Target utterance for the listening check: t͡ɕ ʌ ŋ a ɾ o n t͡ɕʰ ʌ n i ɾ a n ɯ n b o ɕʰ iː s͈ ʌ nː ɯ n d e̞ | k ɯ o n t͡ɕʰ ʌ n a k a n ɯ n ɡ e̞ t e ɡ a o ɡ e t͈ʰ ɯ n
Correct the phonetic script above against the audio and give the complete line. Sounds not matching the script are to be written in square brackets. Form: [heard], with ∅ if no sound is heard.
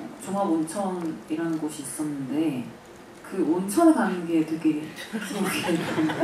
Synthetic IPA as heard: t͡ɕ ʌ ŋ a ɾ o n t͡ɕʰ ʌ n i ɾ a n ɯ n [ɡ] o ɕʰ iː s͈ ʌ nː ɯ n d e̞ | k ɯ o n t͡ɕʰ ʌ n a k a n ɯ n ɡ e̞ t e ɡ [e] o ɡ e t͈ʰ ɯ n